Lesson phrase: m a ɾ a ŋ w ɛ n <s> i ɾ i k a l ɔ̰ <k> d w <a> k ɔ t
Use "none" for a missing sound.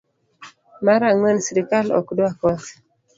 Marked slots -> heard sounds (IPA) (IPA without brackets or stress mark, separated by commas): s, k, a